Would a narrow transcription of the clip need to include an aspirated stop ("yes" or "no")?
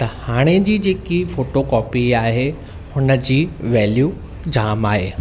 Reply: no